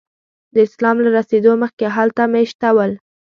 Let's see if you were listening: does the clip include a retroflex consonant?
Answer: no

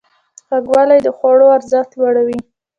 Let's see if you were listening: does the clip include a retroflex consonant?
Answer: yes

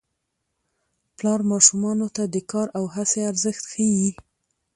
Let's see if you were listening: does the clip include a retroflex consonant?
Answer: no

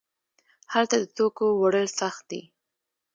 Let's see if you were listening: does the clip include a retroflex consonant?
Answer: yes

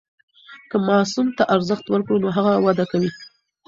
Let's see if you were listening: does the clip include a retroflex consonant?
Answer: yes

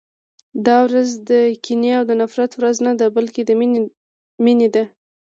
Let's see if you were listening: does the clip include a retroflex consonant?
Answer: no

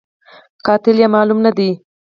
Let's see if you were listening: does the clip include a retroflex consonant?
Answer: no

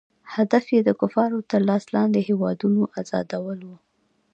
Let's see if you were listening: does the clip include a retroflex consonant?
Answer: no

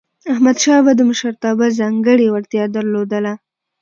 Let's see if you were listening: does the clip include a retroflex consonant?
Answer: yes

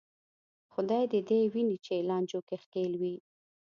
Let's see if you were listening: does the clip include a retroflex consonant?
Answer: no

